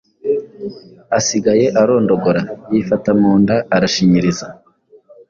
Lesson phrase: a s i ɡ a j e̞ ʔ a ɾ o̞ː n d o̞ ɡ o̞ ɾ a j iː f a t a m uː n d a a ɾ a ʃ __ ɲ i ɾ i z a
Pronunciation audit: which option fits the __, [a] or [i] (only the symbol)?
i